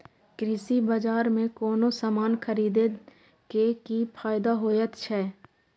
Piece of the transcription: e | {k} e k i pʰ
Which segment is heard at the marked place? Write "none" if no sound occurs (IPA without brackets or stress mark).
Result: k